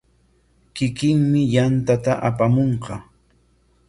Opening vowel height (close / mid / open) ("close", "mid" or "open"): close